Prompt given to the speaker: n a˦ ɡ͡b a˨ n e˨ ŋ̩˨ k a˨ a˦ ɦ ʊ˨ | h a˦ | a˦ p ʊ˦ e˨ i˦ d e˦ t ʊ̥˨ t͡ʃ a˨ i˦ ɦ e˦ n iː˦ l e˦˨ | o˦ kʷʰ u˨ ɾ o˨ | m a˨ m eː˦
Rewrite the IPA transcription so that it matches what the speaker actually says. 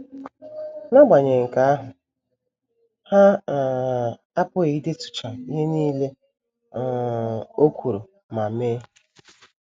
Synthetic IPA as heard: n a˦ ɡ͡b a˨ ɲ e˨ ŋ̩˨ k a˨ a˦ ɦ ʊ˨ | h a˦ | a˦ p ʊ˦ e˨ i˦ d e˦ t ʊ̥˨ t͡ʃ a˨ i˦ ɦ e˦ n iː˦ l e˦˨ | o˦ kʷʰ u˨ ɾ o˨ | m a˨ m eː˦

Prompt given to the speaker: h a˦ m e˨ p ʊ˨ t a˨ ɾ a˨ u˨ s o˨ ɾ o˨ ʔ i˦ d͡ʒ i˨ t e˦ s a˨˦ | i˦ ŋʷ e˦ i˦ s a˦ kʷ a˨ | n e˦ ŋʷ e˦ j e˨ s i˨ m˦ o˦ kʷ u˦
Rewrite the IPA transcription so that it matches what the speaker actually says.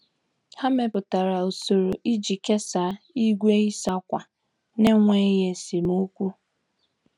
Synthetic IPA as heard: h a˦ m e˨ p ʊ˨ t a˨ ɾ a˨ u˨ s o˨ ɾ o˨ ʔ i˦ d͡ʒ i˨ k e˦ s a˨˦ | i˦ ɡʷ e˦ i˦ s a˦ kʷ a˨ | n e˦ ŋʷ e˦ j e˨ s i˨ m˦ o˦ kʷ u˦

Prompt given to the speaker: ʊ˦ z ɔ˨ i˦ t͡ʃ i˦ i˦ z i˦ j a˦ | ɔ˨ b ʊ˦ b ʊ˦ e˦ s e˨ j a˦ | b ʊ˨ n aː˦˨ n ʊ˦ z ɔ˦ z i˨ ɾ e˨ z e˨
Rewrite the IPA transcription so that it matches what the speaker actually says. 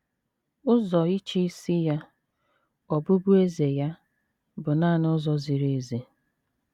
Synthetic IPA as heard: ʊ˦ z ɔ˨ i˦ t͡ʃ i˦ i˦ s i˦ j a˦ | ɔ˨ b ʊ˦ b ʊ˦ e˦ z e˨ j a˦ | b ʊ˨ n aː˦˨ n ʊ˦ z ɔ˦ z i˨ ɾ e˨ z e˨

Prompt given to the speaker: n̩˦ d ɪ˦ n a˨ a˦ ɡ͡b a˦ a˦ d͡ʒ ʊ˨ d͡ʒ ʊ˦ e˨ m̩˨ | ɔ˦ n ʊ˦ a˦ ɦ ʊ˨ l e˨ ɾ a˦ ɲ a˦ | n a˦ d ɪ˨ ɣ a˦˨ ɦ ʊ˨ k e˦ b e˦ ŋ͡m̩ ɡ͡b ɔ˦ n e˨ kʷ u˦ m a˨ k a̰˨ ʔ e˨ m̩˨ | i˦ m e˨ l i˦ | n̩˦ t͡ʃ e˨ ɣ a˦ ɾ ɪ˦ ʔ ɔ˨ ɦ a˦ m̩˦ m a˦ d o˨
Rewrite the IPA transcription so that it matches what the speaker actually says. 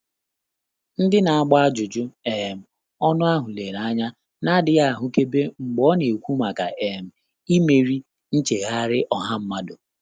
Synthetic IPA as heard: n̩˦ d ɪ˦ n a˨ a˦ ɡ͡b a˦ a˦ d͡ʒ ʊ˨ d͡ʒ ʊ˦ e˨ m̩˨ | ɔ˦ n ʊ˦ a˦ ɦ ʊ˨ l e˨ ɾ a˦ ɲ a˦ | n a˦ d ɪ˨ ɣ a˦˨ ɦ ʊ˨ k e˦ b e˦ ŋ͡m̩ ɡ͡b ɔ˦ n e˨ kʷ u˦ m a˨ k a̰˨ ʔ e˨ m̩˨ | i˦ m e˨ ɾ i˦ | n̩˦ t͡ʃ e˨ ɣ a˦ ɾ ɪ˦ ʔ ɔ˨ ɦ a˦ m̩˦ m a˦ d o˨

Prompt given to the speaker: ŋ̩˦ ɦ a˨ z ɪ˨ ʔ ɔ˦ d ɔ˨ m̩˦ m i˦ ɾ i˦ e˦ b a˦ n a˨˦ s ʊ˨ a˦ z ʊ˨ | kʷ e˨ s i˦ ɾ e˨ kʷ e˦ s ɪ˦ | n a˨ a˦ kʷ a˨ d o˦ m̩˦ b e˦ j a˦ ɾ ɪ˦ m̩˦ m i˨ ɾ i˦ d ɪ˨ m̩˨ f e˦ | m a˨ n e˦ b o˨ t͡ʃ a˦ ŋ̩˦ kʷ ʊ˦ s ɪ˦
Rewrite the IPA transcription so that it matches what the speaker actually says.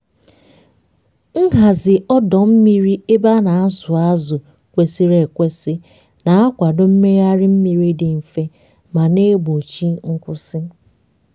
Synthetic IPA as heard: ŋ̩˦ ɦ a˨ z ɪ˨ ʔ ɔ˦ d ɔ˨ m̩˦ m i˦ ɾ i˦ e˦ b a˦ n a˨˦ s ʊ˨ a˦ z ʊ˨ | kʷ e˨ s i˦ ɾ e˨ kʷ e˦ s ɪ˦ | n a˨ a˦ kʷ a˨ d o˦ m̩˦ m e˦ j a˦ ɾ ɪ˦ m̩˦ m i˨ ɾ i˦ d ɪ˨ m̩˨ f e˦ | m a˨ n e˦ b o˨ t͡ʃ i˦ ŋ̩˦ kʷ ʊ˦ s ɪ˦

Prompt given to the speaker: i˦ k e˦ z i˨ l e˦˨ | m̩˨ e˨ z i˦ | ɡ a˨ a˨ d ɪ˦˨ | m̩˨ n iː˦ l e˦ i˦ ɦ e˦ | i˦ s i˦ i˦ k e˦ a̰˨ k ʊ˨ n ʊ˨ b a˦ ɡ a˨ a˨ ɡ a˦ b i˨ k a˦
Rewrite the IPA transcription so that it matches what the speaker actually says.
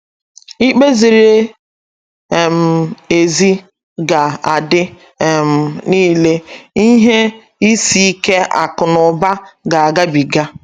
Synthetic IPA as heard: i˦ k͡p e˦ z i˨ ɾ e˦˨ | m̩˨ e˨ z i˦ | ɡ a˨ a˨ d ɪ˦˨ | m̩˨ n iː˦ l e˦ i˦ ɦ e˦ | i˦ s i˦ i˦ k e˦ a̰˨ k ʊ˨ n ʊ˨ b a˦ ɡ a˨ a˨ ɡ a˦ b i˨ ɡ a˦

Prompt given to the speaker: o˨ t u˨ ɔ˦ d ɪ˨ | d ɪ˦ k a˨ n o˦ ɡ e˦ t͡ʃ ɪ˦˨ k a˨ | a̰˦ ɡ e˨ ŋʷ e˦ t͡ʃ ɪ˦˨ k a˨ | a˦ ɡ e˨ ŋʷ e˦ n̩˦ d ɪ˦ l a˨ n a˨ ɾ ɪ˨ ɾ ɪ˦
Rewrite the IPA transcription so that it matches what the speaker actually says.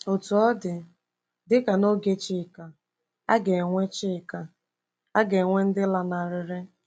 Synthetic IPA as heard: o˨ t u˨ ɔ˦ d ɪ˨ | d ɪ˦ k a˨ n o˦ ɡ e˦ t͡ʃ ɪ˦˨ k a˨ | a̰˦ ɡ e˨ ŋʷ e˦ t͡ʃ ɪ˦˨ k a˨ | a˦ ɡ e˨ ŋʷ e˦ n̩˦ d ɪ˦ l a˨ n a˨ ɾ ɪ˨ ɾ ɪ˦

